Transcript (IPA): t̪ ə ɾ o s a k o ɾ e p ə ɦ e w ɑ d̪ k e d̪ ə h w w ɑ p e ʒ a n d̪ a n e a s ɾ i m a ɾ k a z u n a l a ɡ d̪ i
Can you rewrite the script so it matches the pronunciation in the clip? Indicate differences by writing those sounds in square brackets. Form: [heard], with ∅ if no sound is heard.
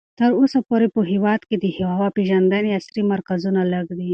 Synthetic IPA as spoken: t̪ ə ɾ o s a [p] o ɾ e p ə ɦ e w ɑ d̪ k e d̪ ə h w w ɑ p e ʒ a n d̪ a n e a s ɾ i m a ɾ k a z u n a l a ɡ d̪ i